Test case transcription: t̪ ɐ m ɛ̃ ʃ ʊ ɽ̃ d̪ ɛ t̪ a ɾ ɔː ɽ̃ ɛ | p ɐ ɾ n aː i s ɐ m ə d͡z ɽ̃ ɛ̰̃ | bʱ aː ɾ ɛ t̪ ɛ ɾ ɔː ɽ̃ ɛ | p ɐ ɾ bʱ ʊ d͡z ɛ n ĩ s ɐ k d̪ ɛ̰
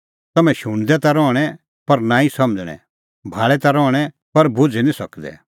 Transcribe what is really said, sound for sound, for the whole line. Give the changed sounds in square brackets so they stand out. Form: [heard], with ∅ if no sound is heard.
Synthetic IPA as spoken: t̪ ɐ m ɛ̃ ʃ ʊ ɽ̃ d̪ ɛ t̪ a ɾ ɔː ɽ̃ ɛ | p ɐ ɾ n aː i s ɐ m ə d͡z ɽ̃ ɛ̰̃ | bʱ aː [ɭ] ɛ t̪ [a] ɾ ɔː ɽ̃ ɛ | p ɐ ɾ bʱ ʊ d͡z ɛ n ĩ s ɐ k d̪ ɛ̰